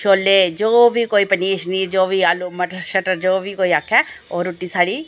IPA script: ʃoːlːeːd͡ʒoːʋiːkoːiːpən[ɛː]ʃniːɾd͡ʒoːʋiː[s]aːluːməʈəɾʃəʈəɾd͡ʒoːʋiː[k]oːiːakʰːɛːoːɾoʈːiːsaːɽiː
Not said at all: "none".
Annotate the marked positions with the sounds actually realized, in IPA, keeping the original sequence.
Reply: iː, none, k

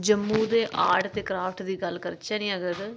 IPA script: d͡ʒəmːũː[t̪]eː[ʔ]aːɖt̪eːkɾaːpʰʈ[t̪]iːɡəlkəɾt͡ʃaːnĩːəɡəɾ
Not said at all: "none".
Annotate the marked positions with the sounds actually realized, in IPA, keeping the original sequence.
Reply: d̪, ʔ, d̪

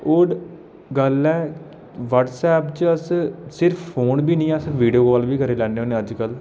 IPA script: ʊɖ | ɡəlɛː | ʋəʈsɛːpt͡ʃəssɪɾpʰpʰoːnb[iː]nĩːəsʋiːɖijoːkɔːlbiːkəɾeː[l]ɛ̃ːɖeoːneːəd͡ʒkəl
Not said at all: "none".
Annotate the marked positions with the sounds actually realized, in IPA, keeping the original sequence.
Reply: iː, l

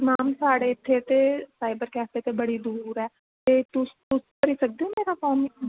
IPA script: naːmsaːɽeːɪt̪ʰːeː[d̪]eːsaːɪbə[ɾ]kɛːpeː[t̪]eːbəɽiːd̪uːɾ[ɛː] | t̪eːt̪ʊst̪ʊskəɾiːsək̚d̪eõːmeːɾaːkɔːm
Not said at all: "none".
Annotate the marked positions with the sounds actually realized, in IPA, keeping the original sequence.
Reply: t̪, ɾ, t̪, ɛː

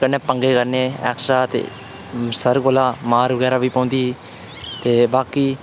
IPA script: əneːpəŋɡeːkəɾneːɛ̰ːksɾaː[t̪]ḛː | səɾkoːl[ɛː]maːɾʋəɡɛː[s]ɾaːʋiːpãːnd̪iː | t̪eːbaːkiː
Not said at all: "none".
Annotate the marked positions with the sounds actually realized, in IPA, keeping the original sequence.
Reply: t̪, aː, none

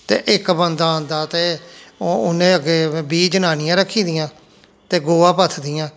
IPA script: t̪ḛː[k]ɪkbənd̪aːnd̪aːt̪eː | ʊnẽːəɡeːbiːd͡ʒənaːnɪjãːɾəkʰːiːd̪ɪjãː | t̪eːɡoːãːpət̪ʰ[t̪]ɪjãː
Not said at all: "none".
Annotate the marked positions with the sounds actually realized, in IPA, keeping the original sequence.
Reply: ʔ, d̪

